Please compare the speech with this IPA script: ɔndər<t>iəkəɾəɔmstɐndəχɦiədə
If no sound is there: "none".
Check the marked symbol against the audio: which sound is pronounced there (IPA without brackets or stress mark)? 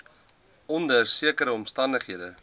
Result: s